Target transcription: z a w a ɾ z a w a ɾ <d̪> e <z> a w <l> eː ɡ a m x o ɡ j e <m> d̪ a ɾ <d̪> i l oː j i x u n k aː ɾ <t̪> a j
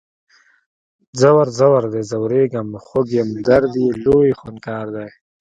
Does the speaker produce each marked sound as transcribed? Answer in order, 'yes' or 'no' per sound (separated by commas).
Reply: yes, yes, no, yes, yes, no